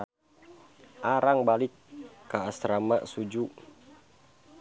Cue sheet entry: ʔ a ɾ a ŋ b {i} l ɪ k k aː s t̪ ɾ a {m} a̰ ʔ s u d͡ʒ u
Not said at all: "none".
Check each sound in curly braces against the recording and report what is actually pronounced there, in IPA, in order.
a, m

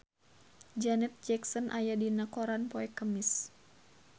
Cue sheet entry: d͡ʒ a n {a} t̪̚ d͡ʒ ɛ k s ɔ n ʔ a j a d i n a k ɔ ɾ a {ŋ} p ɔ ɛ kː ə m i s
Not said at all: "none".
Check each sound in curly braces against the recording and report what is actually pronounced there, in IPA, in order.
ɛ, n

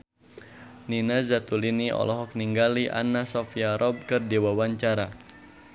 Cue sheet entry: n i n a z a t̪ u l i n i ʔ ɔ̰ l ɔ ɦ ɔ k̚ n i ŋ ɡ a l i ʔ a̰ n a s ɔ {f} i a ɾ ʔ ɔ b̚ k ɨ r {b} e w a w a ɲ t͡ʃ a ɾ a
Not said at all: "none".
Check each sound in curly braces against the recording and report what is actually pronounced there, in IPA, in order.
f, d

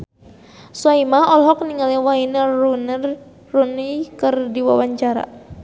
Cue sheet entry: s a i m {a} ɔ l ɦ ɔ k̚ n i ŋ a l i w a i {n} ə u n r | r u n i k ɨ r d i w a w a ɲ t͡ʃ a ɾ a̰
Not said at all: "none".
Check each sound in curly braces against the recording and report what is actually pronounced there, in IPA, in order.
a, n

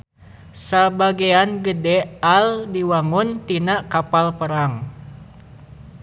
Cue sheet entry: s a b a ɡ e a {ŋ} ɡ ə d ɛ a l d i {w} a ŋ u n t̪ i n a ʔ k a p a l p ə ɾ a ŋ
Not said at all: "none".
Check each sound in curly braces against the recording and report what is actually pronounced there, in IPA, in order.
n, w

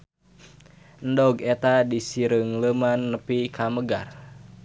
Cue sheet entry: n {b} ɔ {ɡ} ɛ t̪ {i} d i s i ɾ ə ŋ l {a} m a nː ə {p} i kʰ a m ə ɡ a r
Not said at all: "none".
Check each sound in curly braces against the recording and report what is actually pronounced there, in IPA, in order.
d, ɡ, a, ə, p

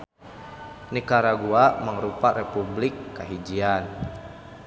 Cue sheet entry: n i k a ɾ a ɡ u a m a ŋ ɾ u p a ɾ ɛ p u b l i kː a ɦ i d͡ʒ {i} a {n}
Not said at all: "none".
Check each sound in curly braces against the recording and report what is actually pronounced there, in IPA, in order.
i, n

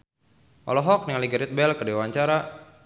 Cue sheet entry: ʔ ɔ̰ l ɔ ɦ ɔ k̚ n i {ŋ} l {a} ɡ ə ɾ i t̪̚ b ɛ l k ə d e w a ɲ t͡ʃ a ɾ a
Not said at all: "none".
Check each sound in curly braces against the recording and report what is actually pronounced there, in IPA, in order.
ŋ, i

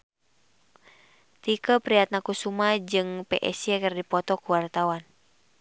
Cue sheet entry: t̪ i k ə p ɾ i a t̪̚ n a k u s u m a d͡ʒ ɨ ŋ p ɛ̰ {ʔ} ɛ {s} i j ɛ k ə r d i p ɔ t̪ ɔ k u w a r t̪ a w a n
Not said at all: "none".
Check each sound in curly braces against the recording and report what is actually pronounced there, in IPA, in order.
ʔ, s

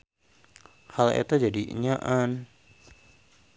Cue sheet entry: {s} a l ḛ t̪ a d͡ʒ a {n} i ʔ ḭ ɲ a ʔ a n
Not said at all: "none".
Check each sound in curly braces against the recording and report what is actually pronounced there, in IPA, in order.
h, d

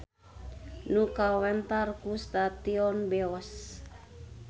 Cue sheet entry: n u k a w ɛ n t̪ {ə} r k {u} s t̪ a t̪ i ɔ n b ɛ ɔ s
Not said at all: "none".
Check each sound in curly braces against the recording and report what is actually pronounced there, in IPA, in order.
a, u

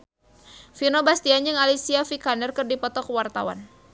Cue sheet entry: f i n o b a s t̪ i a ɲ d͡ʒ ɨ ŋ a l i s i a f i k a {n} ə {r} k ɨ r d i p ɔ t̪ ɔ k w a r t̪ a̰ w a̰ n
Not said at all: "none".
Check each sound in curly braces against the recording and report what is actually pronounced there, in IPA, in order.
n, r

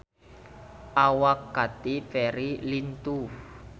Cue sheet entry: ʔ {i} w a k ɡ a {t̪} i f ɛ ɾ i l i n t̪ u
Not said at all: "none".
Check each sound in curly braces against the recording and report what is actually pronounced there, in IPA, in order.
a, t̪

